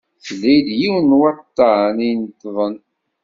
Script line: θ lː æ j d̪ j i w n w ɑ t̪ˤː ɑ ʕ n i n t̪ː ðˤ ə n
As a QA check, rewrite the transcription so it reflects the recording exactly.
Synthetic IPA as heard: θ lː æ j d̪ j i w n w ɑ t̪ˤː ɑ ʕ n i n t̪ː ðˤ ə n